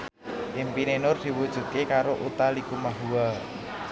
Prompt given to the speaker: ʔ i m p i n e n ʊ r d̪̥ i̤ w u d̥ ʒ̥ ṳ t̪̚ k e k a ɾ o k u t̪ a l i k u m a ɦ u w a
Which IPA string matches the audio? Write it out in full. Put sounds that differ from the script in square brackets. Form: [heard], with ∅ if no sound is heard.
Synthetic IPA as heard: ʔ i m p i n e n ʊ r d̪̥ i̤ w u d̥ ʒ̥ ṳ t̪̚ k e k a ɾ o [ʔ] u t̪ a l i k u m a ɦ u w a